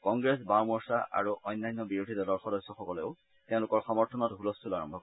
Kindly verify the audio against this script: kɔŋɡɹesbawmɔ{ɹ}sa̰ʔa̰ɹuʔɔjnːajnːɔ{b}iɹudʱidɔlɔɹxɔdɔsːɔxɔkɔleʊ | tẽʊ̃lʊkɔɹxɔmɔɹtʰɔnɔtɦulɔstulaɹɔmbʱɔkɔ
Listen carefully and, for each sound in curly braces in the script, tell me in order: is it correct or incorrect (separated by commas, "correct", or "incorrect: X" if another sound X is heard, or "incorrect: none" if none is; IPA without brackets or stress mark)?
correct, correct